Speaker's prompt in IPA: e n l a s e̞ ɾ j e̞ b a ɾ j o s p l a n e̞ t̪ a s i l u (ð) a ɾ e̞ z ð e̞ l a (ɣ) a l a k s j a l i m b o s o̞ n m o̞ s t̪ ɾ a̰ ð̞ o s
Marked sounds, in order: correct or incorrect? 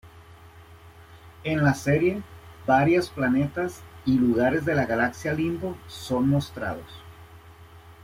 incorrect, correct

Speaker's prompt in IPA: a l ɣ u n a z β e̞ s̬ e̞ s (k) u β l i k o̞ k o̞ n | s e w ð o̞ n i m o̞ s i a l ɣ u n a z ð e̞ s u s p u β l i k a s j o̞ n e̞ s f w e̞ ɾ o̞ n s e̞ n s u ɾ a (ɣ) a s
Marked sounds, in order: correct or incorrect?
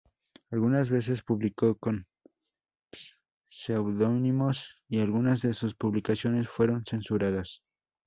incorrect, incorrect

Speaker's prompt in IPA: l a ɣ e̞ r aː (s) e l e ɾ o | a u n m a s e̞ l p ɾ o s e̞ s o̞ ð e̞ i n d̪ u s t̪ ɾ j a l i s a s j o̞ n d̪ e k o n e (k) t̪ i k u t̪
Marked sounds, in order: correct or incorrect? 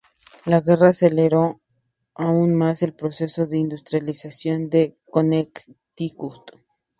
correct, correct

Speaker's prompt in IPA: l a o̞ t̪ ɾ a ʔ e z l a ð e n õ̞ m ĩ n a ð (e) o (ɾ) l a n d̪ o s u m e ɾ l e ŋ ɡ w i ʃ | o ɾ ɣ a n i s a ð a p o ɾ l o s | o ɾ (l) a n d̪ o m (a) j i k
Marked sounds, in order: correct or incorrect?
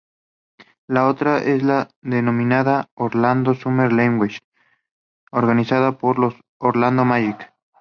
incorrect, correct, correct, correct

